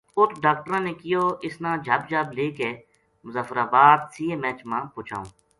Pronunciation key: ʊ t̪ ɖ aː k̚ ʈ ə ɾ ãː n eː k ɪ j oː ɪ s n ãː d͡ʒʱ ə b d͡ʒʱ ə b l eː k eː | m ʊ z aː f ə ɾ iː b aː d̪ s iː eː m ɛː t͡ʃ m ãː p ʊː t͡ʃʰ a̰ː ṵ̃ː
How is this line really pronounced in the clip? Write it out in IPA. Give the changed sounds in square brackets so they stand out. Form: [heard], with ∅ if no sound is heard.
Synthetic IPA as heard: ʊ t̪ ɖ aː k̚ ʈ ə ɾ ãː n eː k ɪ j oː ɪ s n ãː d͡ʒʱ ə b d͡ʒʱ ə b l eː k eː | m ʊ z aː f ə ɾ [aː] b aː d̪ s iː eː m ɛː t͡ʃ m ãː p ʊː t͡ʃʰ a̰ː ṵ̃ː